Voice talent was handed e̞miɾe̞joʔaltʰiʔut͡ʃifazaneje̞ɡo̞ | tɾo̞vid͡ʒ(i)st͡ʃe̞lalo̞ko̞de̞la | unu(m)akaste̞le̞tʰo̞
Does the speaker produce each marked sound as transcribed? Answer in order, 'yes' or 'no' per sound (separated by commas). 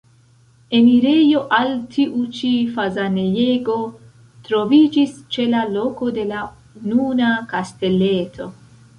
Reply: yes, no